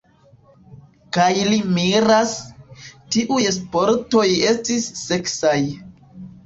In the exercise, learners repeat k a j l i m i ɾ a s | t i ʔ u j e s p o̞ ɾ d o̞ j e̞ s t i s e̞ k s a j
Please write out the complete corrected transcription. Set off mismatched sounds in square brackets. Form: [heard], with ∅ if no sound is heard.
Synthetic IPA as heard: k a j l i m i ɾ a s | t i ʔ u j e s p o̞ ɾ [t] o̞ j e̞ s t i [sː] e̞ k s a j